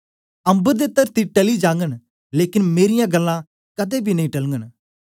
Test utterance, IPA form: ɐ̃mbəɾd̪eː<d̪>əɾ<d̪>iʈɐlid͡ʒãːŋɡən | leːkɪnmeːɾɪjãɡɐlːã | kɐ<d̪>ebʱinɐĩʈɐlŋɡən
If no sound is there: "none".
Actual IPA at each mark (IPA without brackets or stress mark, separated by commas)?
t̪, t̪, d̪